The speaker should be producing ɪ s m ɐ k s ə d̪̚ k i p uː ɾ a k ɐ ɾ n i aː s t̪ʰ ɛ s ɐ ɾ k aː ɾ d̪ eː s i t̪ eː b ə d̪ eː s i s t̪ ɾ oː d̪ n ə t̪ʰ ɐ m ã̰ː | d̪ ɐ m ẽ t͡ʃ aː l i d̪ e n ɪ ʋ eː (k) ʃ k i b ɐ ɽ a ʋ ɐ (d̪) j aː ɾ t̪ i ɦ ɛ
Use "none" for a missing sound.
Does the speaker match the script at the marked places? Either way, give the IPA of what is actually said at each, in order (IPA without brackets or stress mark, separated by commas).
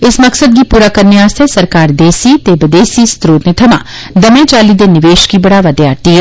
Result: none, d̪